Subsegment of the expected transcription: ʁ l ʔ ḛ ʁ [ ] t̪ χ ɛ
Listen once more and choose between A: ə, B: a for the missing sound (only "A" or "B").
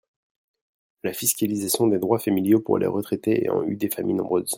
A